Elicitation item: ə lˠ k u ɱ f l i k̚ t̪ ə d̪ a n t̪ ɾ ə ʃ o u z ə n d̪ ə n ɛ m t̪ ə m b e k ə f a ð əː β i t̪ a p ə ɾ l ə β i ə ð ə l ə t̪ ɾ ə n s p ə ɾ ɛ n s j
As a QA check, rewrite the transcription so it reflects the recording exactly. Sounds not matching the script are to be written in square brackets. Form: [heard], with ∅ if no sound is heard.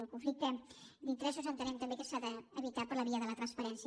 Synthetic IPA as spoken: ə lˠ k u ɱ f l i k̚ t̪ ə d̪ [i] n t̪ ɾ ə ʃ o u z ə n [t̪] ə n ɛ m t̪ ə m b e k ə [s] a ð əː β i t̪ a p ə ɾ l ə β i ə ð ə l ə t̪ ɾ ə n s p ə ɾ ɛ n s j